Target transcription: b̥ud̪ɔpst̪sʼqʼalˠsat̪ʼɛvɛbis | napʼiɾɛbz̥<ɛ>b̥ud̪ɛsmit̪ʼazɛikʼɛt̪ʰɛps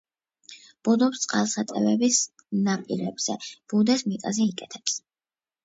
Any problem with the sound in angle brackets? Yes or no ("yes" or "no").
no